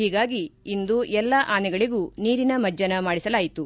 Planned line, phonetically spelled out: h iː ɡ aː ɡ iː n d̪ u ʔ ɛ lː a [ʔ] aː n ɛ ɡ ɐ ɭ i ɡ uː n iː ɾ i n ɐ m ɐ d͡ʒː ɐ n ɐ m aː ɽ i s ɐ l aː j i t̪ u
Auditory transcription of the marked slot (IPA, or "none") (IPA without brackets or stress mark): ʔ